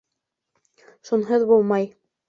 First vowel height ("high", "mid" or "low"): high